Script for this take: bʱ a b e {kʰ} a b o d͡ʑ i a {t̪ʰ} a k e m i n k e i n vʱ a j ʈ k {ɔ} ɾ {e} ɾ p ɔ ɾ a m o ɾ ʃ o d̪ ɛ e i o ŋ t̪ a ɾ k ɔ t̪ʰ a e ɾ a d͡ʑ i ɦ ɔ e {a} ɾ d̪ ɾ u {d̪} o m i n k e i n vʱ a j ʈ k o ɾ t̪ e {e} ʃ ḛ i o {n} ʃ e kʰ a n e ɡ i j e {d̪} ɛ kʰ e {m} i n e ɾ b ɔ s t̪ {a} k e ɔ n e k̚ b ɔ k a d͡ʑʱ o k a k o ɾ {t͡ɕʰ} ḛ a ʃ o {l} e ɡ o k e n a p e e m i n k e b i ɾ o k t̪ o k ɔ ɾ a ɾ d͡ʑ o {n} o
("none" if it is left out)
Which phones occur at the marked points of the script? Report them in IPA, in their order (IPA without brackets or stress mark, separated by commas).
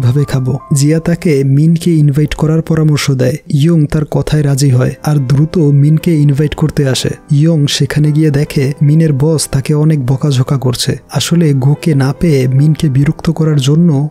kʰ, t̪, ɔ, a, a, t̪, a, ŋ, d̪, m, a, t͡ɕʰ, l, nː